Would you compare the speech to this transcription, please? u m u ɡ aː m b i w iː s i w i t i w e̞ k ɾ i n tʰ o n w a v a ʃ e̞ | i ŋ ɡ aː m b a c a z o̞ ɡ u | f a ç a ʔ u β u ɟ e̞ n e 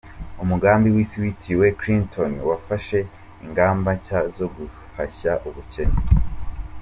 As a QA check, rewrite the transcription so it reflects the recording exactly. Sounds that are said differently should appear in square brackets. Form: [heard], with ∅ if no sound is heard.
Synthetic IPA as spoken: u m u ɡ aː m b i w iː s i w i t i w e̞ k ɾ i n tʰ o n w a [f] a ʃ e̞ | i ŋ ɡ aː m b a c a z o̞ ɡ u | f a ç a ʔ u β u [c] e̞ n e